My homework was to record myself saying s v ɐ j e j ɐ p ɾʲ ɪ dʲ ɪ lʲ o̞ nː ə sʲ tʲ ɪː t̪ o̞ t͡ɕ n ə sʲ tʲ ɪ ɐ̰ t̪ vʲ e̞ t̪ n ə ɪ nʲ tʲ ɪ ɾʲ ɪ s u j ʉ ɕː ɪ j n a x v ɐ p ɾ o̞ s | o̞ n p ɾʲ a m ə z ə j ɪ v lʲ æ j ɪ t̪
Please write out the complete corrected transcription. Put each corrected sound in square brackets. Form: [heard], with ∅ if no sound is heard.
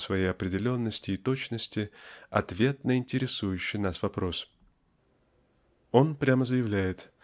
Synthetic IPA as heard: s v ɐ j e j ɐ p ɾʲ ɪ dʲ ɪ lʲ o̞ nː ə sʲ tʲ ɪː t̪ o̞ t͡ɕ n ə sʲ tʲ ɪ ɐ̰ t̪ vʲ e̞ t̪ n ə ɪ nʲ tʲ ɪ ɾʲ ɪ s u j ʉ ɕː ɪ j n a [s] v ɐ p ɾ o̞ s | o̞ n p ɾʲ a m ə z ə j ɪ v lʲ æ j ɪ t̪

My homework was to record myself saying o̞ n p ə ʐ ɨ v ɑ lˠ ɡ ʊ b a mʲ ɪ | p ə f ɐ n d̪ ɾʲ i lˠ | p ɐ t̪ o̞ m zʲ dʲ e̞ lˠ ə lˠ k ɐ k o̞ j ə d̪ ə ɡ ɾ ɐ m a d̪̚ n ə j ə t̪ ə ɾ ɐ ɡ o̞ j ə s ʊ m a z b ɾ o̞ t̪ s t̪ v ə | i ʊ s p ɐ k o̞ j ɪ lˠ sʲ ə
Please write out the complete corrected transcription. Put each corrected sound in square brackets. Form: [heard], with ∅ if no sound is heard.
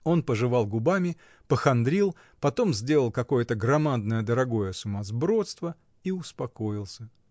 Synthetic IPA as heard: o̞ n p ə ʐ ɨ v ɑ lˠ ɡ ʊ b a mʲ ɪ | p ə [x] ɐ n d̪ ɾʲ i lˠ | p ɐ t̪ o̞ m zʲ dʲ e̞ lˠ ə lˠ k ɐ k o̞ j ə [t̪] ə ɡ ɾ ɐ m a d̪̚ n ə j ə [d̪] ə ɾ ɐ ɡ o̞ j ə s ʊ m a z b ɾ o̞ t̪ s t̪ v ə | i ʊ s p ɐ k o̞ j ɪ lˠ sʲ ə

